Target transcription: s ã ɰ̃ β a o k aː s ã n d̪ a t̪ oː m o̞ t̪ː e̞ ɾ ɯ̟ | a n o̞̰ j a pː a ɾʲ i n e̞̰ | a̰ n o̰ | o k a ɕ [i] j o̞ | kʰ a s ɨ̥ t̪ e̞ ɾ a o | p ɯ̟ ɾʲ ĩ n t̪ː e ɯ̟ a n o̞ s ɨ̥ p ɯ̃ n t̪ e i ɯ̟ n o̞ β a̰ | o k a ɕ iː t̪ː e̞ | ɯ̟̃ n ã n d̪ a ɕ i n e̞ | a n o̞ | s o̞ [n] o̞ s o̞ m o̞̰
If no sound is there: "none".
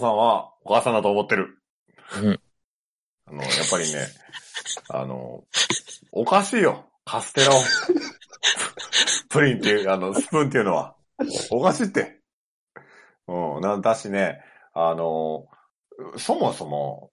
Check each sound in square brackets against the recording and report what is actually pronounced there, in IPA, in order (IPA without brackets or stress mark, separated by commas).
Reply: iː, m